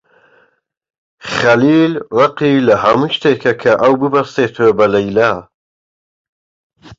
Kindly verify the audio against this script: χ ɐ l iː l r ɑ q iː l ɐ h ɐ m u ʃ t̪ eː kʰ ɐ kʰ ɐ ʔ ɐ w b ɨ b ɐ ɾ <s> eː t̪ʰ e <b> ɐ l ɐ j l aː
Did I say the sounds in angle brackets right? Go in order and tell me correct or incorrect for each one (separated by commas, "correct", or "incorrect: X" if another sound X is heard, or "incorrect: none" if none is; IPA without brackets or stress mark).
correct, correct